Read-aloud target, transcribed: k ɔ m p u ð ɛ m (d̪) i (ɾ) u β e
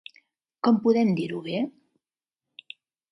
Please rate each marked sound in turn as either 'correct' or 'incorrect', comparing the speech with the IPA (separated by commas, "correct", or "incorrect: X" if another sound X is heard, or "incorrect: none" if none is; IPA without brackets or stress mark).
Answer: correct, correct